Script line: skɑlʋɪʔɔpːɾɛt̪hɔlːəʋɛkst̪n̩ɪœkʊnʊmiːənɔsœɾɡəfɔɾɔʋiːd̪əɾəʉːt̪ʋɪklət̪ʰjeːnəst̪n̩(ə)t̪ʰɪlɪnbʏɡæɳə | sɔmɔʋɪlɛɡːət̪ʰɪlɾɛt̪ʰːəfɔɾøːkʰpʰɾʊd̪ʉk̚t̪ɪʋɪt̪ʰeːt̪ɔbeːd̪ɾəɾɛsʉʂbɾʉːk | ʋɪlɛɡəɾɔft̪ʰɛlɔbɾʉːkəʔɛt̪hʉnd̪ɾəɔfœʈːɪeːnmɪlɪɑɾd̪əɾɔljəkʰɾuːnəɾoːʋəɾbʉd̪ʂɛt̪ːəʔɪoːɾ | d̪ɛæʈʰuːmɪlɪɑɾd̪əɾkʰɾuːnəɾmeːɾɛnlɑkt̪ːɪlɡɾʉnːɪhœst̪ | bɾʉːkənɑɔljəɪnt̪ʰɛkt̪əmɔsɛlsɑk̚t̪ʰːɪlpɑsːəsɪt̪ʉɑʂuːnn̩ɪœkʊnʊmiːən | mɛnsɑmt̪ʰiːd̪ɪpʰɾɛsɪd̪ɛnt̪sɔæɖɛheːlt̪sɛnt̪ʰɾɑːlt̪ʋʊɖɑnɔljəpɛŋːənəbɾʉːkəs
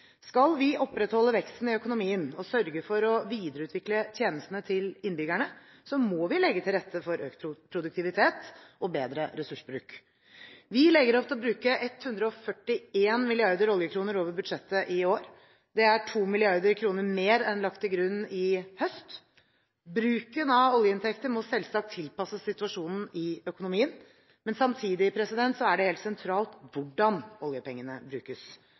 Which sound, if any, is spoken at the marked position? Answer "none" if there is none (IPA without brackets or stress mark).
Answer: ə